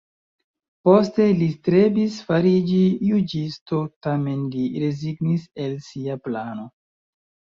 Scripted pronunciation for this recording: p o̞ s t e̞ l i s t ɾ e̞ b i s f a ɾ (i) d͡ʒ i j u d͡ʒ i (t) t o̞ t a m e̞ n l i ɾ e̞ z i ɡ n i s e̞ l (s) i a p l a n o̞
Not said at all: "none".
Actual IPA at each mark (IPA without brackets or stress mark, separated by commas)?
i, s, s